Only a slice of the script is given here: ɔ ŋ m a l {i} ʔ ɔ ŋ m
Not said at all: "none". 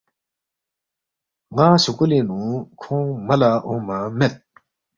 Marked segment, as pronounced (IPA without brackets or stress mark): a